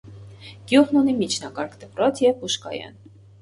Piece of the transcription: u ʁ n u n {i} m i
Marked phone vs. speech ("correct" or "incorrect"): correct